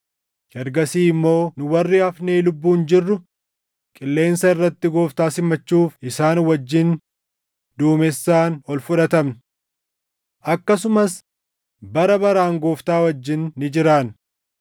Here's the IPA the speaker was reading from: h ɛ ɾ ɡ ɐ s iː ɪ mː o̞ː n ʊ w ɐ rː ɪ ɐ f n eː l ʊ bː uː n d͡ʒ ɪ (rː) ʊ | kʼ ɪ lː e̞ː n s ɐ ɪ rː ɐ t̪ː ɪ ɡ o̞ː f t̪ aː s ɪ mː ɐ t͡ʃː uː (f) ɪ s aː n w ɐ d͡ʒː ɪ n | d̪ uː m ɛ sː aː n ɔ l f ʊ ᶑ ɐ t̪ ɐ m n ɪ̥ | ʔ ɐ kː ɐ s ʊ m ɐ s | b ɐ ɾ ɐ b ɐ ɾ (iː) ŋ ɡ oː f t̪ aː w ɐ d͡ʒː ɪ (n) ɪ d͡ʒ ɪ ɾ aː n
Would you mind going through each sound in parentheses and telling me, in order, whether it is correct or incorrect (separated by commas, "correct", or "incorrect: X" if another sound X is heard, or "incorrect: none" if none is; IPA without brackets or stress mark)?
correct, correct, incorrect: aː, incorrect: nː